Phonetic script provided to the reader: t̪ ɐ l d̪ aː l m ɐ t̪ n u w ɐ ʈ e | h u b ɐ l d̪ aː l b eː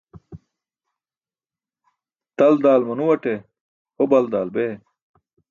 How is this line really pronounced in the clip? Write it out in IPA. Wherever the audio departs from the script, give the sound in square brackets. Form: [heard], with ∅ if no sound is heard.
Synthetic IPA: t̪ ɐ l d̪ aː l m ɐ [∅] n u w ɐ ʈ e | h [o] b ɐ l d̪ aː l b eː